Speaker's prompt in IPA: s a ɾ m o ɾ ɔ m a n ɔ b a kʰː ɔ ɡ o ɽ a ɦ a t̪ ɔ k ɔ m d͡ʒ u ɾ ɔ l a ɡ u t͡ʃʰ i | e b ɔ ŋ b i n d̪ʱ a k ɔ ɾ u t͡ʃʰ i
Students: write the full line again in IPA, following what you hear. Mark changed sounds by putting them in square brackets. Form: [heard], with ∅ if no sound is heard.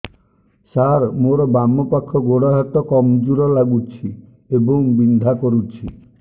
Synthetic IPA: s a ɾ m o ɾ ɔ [b] a [m] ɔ [p] a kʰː ɔ ɡ o ɽ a ɦ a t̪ ɔ k ɔ m d͡ʒ u ɾ ɔ l a ɡ u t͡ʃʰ i | e b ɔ ŋ b i n d̪ʱ a k ɔ ɾ u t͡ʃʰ i